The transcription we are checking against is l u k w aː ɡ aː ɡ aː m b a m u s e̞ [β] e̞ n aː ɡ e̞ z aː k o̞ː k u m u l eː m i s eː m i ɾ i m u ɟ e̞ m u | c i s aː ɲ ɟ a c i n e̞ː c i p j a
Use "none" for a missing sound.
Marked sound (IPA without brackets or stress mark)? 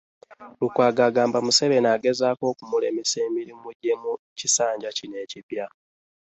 β